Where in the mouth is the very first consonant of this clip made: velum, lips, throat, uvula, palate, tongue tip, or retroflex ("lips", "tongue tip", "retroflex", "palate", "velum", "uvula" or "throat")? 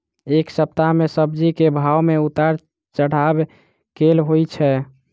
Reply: velum